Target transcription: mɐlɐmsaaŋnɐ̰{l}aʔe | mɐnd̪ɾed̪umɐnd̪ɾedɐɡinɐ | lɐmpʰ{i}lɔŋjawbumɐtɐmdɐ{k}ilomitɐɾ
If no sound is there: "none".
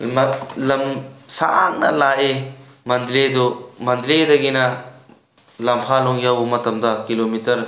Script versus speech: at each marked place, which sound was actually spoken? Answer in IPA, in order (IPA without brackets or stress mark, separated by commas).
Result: l, a, k